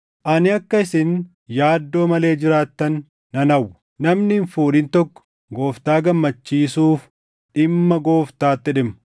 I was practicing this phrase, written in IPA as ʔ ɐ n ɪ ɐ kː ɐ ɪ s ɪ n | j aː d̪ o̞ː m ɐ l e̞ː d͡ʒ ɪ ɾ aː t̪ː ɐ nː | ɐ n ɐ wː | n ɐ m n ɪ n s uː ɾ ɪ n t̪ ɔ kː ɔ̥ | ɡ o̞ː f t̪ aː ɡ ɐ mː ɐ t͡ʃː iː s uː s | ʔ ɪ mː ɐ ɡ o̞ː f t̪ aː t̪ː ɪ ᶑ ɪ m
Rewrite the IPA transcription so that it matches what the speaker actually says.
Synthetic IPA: ʔ ɐ n ɪ ɐ kː ɐ ɪ s ɪ n | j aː d̪ː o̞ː m ɐ l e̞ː d͡ʒ ɪ ɾ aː t̪ː ɐ nː | ɐ n ɐ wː | n ɐ m n ɪ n f uː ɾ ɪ n t̪ ɔ kː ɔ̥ | ɡ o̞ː f t̪ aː ɡ ɐ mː ɐ t͡ʃː iː s uː f | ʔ ɪ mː ɐ ɡ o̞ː f t̪ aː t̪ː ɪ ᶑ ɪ m